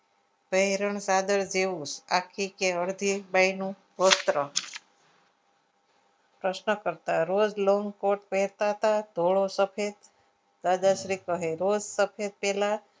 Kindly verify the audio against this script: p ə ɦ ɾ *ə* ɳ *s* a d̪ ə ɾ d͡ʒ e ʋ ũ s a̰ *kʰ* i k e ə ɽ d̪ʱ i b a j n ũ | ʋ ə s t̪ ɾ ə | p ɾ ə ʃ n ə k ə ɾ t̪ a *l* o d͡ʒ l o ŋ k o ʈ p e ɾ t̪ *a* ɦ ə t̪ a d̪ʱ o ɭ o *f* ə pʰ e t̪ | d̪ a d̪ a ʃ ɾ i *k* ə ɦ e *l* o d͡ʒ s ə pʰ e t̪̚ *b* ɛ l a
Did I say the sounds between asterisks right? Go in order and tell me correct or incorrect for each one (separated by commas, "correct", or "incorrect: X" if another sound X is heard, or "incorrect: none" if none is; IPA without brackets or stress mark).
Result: correct, correct, correct, incorrect: ɾ, correct, incorrect: s, correct, incorrect: ɾ, incorrect: p